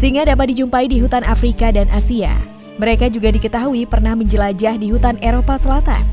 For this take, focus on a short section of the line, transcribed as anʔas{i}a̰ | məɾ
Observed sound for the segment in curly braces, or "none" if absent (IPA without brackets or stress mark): i